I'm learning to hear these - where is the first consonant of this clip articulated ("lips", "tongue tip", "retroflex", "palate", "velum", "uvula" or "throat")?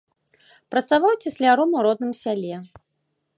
lips